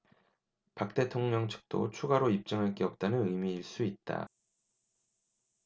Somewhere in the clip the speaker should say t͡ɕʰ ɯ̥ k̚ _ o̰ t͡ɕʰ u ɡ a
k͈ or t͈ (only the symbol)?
t͈